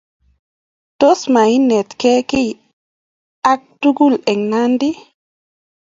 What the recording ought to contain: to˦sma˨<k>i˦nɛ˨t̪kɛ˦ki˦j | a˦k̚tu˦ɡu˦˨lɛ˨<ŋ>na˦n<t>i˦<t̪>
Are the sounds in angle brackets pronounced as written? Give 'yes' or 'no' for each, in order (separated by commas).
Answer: no, yes, no, no